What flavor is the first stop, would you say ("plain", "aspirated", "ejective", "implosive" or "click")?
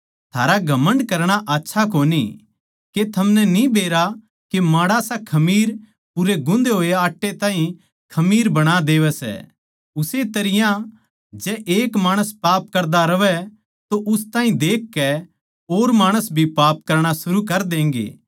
aspirated